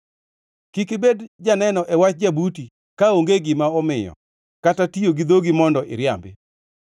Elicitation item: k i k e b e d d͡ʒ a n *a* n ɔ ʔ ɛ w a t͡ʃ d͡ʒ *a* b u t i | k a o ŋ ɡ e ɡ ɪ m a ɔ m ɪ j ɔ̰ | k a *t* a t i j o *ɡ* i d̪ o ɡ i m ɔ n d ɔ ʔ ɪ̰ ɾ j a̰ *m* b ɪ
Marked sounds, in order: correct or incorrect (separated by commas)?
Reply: incorrect, correct, correct, correct, correct